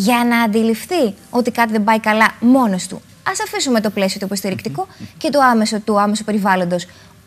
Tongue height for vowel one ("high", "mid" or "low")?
low